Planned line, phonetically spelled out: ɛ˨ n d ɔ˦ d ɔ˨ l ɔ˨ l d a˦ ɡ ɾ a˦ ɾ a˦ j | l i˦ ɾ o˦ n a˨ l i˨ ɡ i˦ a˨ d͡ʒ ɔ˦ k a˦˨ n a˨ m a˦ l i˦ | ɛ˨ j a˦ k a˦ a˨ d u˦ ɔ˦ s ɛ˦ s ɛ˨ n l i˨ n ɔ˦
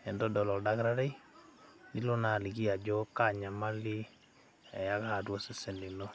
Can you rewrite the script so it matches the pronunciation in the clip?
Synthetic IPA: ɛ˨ n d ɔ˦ d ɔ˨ l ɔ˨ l d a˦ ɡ ɾ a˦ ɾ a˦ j | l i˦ l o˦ n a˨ l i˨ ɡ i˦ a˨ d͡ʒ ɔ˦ k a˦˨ ɲ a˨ m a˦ l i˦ | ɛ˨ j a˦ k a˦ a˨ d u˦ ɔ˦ s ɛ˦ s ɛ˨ n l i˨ n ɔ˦